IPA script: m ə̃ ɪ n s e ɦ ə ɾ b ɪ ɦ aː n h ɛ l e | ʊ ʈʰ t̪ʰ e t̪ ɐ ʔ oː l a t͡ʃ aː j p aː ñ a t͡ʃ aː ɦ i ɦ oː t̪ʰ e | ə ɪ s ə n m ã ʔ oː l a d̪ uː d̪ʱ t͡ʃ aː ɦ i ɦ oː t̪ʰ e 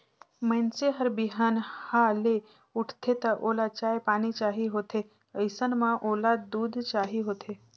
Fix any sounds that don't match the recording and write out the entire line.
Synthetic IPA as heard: m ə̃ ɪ n s e ɦ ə ɾ b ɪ ɦ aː n h a l e | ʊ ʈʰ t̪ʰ e t̪ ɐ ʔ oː l a t͡ʃ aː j p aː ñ i t͡ʃ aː ɦ i ɦ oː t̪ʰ e | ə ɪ s ə n m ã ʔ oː l a d̪ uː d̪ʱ t͡ʃ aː ɦ i ɦ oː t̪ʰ e